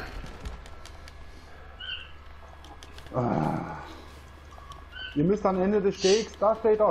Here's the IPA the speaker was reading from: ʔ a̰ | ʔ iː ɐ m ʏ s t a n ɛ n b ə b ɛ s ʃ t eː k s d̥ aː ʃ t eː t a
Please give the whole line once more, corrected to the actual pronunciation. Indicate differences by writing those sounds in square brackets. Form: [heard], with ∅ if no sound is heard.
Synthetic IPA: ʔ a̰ | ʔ iː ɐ m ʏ s t a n ɛ n [d] ə [d] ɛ s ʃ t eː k s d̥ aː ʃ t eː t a